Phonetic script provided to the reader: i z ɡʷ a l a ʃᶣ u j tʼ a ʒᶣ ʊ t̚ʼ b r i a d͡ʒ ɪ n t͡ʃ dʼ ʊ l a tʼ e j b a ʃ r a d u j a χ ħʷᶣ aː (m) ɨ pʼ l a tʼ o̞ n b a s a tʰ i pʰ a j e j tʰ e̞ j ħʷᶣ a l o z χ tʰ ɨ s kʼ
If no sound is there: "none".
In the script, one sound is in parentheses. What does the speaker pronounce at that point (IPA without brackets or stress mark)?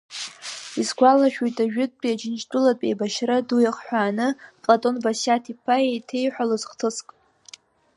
n